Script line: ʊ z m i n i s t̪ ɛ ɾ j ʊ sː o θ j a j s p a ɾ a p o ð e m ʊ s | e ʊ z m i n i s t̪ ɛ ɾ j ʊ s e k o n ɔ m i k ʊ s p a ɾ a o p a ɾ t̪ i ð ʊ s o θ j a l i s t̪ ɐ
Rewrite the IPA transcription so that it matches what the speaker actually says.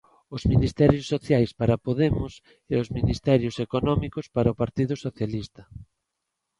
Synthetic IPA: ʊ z m i n i s t̪ ɛ ɾ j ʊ sː o θ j a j s p a ɾ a p o ð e m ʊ s | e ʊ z m i n i s t̪ ɛ ɾ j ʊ s e k o n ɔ m i k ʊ s p a ɾ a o p a ɾ t̪ i ð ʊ s o θ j a l i s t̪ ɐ